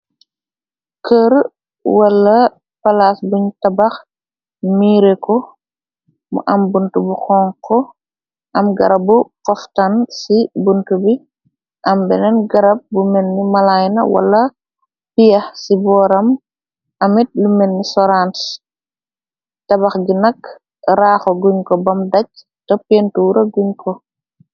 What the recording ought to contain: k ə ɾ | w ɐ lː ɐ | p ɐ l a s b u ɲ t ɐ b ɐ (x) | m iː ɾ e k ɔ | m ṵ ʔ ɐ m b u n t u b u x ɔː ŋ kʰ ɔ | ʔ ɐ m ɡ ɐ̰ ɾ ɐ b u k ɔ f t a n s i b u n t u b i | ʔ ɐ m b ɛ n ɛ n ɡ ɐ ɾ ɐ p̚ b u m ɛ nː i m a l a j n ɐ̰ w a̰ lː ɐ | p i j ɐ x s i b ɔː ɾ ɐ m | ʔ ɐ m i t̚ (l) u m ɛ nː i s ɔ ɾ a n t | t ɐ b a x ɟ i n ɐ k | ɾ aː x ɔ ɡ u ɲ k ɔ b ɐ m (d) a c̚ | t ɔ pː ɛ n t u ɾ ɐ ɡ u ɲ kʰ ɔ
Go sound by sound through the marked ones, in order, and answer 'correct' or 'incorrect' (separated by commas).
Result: correct, correct, correct